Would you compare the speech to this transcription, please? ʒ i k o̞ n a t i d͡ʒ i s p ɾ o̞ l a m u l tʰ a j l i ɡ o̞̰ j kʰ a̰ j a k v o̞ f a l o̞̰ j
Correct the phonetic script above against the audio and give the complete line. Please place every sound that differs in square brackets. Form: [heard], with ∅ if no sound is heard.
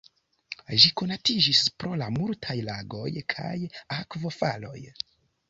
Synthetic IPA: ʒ i k o̞ n a t i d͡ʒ i s p ɾ o̞ l a m u l tʰ a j l [a] ɡ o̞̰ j kʰ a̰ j a k v o̞ f a l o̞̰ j

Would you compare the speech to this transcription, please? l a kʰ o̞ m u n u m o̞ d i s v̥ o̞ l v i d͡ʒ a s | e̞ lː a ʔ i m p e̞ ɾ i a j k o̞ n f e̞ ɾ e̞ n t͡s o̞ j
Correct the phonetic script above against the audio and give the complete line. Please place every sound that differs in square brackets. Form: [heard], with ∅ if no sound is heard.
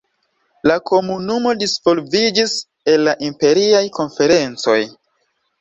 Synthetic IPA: l a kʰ o̞ m u n u m o̞ d i s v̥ o̞ l v i d͡ʒ [i] s | e̞ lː a ʔ i m p e̞ ɾ i a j k o̞ n f e̞ ɾ e̞ n t͡s o̞ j

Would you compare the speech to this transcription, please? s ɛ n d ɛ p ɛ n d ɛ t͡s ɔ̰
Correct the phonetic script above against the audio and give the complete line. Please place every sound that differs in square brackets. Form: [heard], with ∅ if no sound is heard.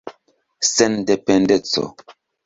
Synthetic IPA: s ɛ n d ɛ p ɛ n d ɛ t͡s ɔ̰

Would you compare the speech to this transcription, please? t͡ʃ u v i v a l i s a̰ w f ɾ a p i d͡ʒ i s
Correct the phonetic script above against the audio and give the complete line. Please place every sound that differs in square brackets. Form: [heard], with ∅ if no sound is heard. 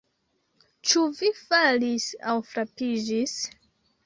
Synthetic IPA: t͡ʃ u v i [f] a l i s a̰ w f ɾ a p i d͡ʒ i s

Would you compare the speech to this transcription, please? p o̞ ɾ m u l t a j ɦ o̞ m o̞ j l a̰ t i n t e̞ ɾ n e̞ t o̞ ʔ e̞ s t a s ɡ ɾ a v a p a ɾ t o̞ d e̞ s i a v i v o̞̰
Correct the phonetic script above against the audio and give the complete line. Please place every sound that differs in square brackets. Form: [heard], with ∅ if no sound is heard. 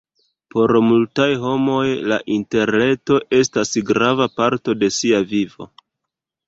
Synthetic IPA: p o̞ ɾ m u l t a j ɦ o̞ m o̞ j l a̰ [ʔ] i n t e̞ ɾ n e̞ t o̞ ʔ e̞ s t a s ɡ ɾ a v a p a ɾ t o̞ d e̞ s i a v i v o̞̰

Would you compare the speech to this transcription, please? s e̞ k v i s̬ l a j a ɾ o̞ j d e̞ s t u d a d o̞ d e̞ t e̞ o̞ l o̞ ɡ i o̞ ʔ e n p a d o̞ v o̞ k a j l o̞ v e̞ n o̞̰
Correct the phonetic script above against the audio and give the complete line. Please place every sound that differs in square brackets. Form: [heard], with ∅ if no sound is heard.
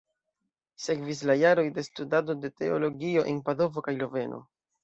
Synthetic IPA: s e̞ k v i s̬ l a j a ɾ o̞ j d e̞ s t u d a d o̞ d e̞ t e̞ o̞ l o̞ ɡ i o̞ ʔ e n p a d o̞ v o̞ k a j l o̞ v e̞ n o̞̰

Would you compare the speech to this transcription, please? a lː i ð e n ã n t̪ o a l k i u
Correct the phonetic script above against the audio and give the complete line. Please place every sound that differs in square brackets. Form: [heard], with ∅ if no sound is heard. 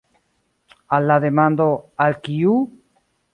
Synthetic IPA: a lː [a] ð e [m] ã n [d̪] o a l k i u

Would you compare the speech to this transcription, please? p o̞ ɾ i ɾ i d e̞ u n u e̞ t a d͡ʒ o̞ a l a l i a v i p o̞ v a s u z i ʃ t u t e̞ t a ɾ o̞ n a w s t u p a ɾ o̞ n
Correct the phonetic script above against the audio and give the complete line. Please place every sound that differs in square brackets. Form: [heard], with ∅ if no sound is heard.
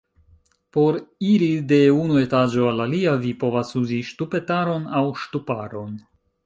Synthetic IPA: p o̞ ɾ i ɾ i d e̞ u n u e̞ t a d͡ʒ o̞ a l a l i a v i p o̞ v a s u z i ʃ t u [p] e̞ t a ɾ o̞ n a w [ʃ] t u p a ɾ o̞ n

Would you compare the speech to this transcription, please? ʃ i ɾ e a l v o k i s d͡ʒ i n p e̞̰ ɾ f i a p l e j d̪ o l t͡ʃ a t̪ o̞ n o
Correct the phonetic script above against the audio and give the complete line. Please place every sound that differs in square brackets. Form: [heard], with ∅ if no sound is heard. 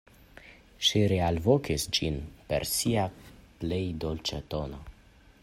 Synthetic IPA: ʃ i ɾ e a l v o k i s d͡ʒ i n p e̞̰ ɾ [s] i a p l e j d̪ o l t͡ʃ a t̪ o̞ n o

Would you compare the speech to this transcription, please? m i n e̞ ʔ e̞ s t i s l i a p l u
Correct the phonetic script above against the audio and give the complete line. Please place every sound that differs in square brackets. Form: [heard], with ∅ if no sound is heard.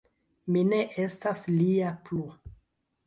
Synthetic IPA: m i n e̞ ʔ e̞ s t [a] s l i a p l u

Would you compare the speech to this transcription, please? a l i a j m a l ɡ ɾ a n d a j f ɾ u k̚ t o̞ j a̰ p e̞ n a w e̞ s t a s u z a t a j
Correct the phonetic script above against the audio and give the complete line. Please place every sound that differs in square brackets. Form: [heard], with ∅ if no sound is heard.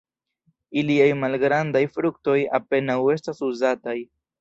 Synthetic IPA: [i] l i a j m a l ɡ ɾ a n d a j f ɾ u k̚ t o̞ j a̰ p e̞ n a w e̞ s t a s u z a t a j

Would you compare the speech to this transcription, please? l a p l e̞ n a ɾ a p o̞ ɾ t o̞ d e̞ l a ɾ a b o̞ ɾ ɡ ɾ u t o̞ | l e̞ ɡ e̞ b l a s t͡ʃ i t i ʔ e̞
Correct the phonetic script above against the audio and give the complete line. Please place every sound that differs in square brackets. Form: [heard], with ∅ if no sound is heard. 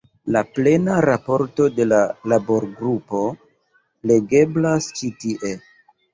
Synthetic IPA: l a p l e̞ n a ɾ a p o̞ ɾ t o̞ d e̞ l a [l] a b o̞ ɾ ɡ ɾ u [p] o̞ | l e̞ ɡ e̞ b l a s t͡ʃ i t i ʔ e̞

